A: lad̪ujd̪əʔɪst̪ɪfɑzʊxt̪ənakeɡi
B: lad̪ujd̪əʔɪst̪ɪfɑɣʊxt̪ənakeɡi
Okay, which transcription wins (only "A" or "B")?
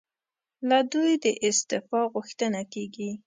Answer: B